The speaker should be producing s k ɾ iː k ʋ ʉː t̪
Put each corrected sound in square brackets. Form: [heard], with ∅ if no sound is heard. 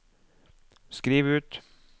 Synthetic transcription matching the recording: s k ɾ iː [∅] ʋ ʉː t̪

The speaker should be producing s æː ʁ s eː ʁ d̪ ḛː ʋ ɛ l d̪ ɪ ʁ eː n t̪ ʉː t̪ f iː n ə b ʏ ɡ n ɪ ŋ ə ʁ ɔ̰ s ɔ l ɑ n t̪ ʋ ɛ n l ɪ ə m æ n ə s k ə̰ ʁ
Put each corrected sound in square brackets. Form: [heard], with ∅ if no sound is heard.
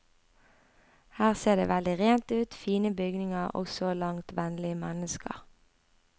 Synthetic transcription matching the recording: [h] æː ʁ s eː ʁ d̪ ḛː ʋ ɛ l d̪ ɪ ʁ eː n t̪ ʉː t̪ f iː n ə b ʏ ɡ n ɪ ŋ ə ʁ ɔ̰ s ɔ l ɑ [ŋ] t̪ ʋ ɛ n l ɪ ə m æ n ə s k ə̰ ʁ

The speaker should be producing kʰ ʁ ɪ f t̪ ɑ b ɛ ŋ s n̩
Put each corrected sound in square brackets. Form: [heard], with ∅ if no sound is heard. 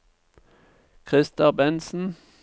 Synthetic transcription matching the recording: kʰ ʁ ɪ [s] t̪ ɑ b ɛ [n] s n̩

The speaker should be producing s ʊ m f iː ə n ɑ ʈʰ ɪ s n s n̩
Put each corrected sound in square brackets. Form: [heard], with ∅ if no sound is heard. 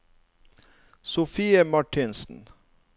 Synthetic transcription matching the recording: s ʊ [∅] f iː ə [m] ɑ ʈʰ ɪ [∅] n s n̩

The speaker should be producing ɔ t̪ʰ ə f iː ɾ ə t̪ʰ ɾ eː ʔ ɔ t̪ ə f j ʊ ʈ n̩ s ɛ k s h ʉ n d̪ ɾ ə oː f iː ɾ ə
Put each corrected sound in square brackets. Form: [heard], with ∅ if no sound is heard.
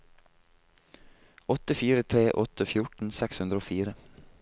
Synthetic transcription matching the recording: ɔ [t̪] ə f iː ɾ ə t̪ʰ ɾ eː ʔ ɔ t̪ ə f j ʊ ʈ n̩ s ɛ k s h ʉ n d̪ ɾ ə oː f iː ɾ ə

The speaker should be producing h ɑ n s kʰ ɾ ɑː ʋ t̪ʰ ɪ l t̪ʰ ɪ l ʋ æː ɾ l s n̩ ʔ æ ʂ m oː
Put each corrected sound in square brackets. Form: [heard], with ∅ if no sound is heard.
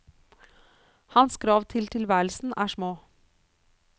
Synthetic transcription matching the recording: h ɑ n s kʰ ɾ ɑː ʋ t̪ʰ ɪ l t̪ʰ ɪ l ʋ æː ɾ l s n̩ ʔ [æː] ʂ m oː

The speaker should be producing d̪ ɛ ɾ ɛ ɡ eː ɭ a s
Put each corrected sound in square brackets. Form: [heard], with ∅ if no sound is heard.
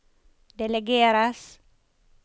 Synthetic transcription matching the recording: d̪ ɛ [l] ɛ ɡ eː [ɾ] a s

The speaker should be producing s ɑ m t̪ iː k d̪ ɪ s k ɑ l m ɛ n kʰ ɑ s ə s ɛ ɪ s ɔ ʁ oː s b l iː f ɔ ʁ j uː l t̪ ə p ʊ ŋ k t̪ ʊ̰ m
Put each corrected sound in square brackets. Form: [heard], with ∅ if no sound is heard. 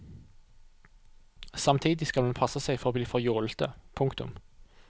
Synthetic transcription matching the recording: s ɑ m [t̪ʰ] iː [∅] d̪ ɪ s k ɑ l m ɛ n [pʰ] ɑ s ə s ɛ ɪ [f] ɔ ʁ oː [∅] b l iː f ɔ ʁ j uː l t̪ ə [pʰ] ʊ ŋ k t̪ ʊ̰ m

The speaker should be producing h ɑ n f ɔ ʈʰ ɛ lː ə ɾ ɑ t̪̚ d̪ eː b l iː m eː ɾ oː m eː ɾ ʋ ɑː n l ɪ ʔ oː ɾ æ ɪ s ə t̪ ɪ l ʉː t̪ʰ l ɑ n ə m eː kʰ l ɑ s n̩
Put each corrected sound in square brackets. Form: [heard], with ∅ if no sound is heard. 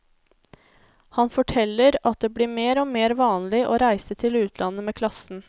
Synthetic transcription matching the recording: h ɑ n f ɔ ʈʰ ɛ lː ə ɾ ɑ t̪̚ d̪ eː b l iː m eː ɾ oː m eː ɾ ʋ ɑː n l ɪ ʔ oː ɾ æ ɪ s ə [t̪ʰ] ɪ l ʉː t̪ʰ l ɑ n ə m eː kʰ l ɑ s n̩

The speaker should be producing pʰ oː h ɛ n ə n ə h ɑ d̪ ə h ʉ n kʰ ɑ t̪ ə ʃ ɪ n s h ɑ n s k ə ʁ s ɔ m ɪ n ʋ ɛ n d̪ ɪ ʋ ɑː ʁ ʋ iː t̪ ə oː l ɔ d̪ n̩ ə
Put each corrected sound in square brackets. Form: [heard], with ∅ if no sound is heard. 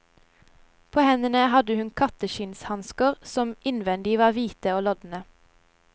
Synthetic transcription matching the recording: pʰ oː h ɛ n ə n ə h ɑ d̪ ə h ʉ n kʰ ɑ t̪ ə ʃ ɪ n s h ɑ n s k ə ʁ s ɔ m ɪ n ʋ ɛ n d̪ ɪ ʋ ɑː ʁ ʋ iː t̪ ə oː l ɔ d̪ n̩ ə

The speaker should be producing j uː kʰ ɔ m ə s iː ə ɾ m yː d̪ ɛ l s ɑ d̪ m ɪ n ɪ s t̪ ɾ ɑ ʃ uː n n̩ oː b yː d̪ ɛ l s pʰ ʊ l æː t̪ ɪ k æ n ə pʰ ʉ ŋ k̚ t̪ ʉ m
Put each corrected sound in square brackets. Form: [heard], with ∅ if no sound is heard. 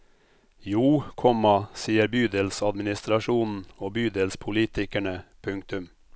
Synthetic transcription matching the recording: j uː kʰ ɔ m [ɑ] s iː ə ɾ [b] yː d̪ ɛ l s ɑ d̪ m ɪ n ɪ s t̪ ɾ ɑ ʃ uː n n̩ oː b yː d̪ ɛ l s pʰ ʊ l [iː] t̪ ɪ k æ [ɳ] ə pʰ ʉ ŋ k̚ t̪ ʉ m

